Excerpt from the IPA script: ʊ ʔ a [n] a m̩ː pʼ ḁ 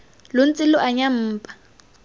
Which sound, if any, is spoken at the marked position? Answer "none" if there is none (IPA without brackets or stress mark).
ɲ